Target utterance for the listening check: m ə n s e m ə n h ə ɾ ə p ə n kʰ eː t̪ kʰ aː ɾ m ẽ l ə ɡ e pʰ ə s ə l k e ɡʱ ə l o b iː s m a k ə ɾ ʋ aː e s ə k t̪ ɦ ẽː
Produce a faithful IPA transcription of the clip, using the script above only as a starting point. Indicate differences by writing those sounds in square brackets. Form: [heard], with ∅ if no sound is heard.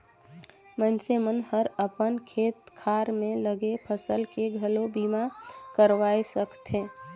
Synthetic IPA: m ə n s e m ə n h ə ɾ ə p ə n kʰ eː t̪ kʰ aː ɾ m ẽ l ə ɡ e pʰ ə s ə l k e ɡʱ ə l o b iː [∅] m a k ə ɾ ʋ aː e s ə k t̪ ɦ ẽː